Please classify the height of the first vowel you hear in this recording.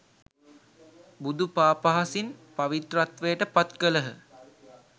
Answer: high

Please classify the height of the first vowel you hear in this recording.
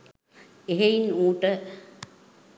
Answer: mid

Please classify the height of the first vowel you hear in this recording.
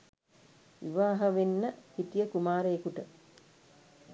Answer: high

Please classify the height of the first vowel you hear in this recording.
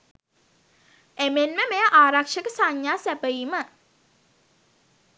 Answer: mid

